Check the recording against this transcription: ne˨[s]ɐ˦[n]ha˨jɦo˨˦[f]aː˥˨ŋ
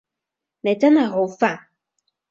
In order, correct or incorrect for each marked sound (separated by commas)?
incorrect, correct, correct